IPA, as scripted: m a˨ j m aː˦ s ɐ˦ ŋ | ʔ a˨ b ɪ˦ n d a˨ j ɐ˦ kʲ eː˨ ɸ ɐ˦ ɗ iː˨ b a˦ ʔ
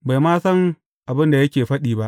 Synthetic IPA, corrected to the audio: b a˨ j m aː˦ s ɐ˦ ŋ | ʔ a˨ b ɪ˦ n d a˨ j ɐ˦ kʲ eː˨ ɸ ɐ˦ ɗ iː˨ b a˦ ʔ